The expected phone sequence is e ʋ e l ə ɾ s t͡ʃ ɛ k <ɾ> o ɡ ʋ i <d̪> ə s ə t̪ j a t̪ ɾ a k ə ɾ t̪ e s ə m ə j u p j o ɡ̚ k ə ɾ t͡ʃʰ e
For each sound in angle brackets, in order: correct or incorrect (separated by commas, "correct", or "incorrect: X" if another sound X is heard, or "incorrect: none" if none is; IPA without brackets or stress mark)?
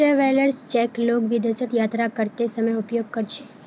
incorrect: l, correct